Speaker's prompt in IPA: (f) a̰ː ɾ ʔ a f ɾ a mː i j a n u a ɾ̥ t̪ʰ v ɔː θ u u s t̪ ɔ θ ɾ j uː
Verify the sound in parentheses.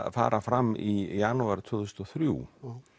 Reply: correct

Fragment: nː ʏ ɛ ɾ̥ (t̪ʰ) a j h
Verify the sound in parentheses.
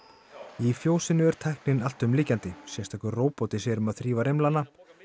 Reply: correct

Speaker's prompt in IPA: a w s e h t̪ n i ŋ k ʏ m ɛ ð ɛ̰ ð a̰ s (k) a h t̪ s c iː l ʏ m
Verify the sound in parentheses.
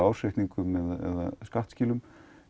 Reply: correct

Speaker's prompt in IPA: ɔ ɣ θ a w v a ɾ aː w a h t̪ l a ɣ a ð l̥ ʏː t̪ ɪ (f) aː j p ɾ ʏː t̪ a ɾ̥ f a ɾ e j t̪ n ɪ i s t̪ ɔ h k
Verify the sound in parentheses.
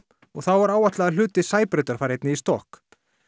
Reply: incorrect: s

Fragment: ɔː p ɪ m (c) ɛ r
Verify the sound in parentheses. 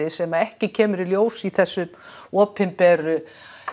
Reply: incorrect: p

